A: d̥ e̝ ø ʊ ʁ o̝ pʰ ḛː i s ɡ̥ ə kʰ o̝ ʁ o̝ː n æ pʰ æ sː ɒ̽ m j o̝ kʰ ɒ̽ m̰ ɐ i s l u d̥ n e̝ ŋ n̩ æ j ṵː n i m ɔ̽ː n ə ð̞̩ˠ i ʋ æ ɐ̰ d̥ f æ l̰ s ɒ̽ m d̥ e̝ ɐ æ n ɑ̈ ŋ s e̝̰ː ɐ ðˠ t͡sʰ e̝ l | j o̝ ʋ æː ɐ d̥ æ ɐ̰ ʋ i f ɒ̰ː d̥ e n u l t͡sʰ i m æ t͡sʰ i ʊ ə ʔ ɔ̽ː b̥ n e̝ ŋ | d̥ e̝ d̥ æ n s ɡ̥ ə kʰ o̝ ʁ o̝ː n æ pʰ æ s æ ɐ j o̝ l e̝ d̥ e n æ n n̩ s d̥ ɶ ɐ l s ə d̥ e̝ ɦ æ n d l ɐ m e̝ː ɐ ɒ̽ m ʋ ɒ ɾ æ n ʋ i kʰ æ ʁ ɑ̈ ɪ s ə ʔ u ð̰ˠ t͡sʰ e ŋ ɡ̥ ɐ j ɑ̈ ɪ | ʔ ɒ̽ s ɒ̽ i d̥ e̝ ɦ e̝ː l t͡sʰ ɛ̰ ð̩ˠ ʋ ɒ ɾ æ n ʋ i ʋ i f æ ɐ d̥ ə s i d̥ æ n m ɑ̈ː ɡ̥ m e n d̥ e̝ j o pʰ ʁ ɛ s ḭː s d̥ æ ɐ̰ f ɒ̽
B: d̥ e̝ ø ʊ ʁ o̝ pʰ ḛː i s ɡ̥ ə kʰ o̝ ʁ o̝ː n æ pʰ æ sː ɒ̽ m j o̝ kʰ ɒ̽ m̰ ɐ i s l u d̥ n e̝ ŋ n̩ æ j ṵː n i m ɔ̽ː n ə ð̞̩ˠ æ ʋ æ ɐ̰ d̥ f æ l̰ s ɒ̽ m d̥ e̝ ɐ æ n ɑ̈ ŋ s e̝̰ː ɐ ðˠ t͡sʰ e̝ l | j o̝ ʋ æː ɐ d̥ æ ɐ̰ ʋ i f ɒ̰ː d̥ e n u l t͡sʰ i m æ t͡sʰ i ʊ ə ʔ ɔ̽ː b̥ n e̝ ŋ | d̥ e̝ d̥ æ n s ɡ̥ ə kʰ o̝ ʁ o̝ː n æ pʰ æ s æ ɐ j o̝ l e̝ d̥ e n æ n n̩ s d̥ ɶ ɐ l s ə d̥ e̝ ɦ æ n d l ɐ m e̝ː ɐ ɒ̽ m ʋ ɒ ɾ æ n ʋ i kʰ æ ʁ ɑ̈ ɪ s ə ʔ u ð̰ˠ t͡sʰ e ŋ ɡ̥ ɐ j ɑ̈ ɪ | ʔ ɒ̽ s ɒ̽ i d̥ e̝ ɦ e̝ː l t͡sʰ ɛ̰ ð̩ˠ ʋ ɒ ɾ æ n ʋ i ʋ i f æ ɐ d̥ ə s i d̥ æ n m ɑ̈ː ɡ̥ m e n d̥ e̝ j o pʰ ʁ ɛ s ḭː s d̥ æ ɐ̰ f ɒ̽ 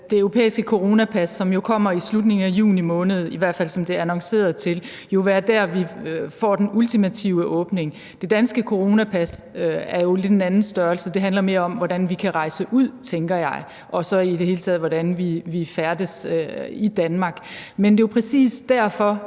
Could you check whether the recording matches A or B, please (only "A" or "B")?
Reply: A